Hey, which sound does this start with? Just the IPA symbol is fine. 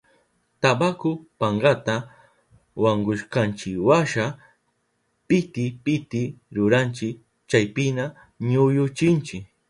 t̪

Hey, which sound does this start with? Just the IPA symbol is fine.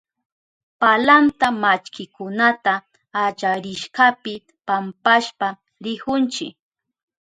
p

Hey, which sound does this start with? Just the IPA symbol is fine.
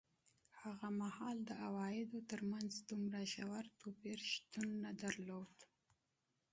h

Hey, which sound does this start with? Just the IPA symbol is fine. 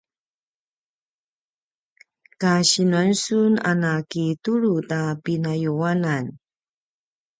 k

